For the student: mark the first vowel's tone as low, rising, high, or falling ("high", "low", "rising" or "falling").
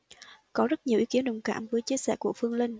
rising